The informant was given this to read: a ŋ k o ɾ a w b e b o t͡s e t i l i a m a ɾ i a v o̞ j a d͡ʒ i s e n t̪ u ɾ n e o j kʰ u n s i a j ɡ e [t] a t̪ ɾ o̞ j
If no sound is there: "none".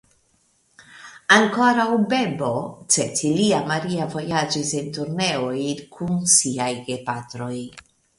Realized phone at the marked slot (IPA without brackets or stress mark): p